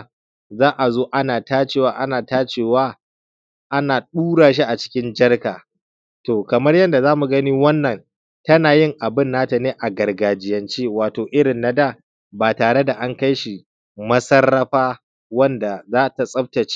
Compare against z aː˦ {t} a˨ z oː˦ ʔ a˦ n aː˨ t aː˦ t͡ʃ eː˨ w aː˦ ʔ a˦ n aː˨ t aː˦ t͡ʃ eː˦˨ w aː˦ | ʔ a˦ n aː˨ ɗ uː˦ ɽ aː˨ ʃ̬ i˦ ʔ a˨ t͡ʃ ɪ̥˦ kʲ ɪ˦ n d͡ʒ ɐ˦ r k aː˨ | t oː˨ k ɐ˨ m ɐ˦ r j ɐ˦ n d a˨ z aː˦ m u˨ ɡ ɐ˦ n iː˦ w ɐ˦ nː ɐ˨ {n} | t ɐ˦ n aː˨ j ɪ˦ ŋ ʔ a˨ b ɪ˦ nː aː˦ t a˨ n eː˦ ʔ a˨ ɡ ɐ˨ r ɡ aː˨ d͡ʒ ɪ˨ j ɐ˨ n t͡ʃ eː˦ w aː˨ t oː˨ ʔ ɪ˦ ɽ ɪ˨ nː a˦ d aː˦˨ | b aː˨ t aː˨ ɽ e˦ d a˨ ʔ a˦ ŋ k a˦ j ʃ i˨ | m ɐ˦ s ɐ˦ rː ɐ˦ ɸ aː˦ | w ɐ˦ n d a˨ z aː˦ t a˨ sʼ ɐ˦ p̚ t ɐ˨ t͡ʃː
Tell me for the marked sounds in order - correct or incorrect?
incorrect: ʔ, correct

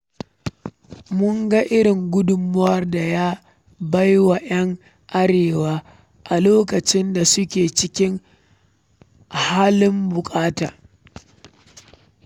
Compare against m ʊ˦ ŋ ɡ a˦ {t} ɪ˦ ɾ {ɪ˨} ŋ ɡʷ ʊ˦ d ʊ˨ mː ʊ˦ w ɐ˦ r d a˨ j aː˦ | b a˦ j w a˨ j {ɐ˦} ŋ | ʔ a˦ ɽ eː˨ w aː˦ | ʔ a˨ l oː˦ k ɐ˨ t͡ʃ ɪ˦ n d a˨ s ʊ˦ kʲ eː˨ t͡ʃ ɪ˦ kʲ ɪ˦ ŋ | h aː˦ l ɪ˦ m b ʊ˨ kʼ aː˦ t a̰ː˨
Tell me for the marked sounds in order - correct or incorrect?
incorrect: ʔ, correct, correct

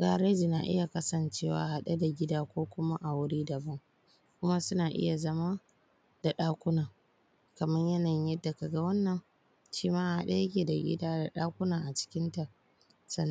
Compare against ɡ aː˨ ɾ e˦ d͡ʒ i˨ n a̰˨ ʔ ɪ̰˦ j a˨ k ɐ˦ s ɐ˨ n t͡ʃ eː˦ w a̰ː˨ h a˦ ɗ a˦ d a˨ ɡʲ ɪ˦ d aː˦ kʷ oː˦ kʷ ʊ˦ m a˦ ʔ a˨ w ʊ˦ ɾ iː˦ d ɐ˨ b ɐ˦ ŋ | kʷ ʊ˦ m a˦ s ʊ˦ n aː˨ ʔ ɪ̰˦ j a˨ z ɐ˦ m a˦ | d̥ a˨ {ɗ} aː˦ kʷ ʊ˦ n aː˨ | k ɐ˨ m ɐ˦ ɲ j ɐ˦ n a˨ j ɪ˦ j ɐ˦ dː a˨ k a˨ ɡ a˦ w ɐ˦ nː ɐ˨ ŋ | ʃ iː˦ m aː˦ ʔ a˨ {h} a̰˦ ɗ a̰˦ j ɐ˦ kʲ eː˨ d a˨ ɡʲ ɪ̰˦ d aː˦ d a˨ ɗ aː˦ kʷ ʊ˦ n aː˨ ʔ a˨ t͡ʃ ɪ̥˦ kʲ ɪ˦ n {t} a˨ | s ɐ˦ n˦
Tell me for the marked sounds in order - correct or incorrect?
correct, correct, correct

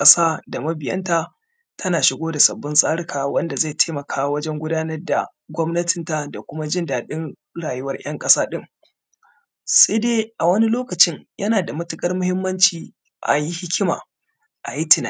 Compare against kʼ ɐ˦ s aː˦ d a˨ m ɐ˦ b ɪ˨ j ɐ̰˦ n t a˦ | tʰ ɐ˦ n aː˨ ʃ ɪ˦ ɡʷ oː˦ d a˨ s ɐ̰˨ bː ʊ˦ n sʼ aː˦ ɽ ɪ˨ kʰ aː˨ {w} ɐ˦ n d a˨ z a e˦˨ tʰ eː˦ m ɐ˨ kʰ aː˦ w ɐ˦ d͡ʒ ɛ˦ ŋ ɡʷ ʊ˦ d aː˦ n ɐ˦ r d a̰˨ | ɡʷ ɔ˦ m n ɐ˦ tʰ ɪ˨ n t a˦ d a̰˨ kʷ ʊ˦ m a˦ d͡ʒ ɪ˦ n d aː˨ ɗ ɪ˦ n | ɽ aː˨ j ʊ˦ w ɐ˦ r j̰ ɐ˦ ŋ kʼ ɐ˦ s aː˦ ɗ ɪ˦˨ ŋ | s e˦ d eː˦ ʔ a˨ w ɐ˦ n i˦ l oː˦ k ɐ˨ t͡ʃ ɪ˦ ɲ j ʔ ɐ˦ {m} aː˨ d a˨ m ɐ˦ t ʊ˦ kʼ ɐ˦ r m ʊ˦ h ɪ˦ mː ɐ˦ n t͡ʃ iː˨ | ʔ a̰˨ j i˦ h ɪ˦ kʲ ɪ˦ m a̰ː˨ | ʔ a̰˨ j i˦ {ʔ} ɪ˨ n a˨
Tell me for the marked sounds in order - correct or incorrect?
correct, incorrect: n, incorrect: t

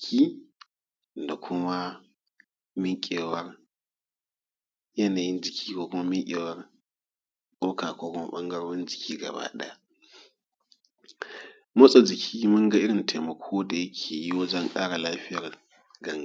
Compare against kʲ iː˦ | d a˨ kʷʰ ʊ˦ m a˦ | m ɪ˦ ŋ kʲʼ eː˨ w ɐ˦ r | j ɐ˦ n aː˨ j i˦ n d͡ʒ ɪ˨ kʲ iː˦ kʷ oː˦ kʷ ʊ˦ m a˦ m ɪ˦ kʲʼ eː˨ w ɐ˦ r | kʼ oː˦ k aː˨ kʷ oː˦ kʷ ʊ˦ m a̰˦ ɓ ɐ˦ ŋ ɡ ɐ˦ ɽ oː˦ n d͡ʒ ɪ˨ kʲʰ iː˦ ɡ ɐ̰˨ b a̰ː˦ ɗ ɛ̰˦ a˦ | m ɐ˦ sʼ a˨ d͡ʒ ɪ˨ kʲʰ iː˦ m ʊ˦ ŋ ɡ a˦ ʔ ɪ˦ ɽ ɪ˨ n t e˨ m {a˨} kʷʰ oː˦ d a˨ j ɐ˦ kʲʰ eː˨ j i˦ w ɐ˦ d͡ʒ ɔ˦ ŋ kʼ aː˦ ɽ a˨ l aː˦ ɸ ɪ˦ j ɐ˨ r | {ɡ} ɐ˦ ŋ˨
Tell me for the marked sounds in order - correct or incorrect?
incorrect: ɐ˨, correct

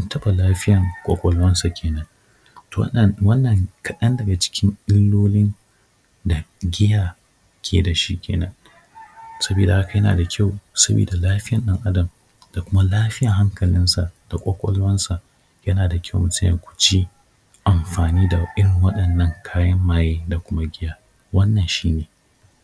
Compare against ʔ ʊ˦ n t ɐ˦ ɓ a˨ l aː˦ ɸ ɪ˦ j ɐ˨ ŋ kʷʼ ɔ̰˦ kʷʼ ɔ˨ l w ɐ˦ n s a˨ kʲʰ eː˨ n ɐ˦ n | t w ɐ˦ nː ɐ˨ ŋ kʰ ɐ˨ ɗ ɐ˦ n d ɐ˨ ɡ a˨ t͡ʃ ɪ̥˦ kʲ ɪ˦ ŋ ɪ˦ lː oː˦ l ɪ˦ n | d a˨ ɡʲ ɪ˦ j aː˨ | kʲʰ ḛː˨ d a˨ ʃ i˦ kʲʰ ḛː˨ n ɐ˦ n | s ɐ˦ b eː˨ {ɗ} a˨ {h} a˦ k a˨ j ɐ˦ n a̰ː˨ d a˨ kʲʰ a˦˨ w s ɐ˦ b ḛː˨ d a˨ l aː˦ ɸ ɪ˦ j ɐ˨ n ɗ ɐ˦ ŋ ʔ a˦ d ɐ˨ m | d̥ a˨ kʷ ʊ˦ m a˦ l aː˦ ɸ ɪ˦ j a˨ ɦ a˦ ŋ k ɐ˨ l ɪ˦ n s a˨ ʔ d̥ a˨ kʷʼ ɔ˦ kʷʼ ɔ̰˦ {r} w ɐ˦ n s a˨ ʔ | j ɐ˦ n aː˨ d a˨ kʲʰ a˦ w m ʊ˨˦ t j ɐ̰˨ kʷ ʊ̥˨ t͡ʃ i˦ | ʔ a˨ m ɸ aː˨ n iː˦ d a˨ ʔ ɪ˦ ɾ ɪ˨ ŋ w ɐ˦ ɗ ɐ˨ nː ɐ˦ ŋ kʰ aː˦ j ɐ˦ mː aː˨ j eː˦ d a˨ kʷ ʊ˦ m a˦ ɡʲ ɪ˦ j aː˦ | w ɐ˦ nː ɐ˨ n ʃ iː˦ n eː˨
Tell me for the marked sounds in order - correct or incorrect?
incorrect: d, correct, incorrect: l

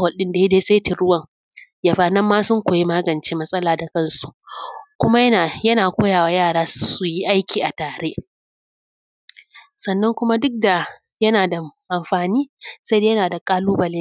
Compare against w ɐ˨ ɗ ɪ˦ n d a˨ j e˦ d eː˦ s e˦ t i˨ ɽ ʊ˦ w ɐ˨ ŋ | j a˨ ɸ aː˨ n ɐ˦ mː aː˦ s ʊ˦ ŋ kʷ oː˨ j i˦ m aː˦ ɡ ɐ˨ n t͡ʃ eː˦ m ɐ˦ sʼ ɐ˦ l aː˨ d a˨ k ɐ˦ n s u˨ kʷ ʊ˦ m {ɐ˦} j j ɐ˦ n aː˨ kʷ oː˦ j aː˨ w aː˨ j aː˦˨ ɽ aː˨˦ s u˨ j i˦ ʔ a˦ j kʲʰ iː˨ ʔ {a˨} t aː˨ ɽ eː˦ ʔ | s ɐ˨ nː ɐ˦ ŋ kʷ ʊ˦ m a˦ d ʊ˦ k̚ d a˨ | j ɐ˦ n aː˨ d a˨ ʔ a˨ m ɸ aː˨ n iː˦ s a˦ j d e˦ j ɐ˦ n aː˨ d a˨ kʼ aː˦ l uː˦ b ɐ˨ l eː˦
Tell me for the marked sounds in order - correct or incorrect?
incorrect: a˦, correct

